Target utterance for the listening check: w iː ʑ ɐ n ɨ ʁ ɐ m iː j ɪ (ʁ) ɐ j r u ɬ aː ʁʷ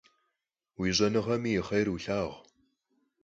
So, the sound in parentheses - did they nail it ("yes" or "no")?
no